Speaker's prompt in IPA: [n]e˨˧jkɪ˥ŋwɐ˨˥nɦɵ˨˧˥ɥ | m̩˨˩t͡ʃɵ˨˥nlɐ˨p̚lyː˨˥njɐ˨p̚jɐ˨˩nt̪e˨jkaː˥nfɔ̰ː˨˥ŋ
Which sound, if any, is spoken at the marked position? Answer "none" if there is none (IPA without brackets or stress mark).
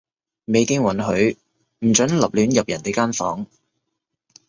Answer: m